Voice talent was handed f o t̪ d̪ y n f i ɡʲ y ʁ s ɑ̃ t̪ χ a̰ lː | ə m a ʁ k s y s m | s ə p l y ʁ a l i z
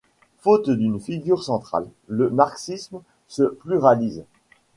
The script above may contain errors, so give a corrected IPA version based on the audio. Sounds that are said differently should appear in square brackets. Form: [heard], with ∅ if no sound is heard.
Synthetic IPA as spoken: f o t̪ d̪ y n f i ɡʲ y ʁ s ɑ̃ t̪ χ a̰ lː | ə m a ʁ k s [i] s m | s ə p l y ʁ a l i z